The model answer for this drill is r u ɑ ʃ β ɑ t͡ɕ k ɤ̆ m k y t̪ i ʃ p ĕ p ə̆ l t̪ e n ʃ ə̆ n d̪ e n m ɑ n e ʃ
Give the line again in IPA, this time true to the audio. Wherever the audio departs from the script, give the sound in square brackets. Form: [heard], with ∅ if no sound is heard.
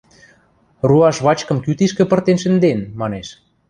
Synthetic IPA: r u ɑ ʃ β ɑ t͡ɕ k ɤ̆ m k y t̪ i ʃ [k] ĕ p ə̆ [r] t̪ e n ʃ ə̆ n d̪ e n m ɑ n e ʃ